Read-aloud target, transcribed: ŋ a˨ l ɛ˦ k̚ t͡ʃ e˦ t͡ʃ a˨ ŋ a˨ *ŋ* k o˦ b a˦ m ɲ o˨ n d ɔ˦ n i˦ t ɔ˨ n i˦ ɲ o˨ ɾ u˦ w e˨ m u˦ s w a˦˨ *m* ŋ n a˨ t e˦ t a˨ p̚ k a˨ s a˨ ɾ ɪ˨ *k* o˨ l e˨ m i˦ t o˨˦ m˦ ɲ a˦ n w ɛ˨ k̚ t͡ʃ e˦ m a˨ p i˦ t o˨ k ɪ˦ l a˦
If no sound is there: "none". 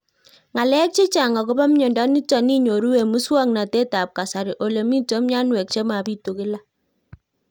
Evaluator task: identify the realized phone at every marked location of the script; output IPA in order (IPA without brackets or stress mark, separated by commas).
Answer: none, none, ʔ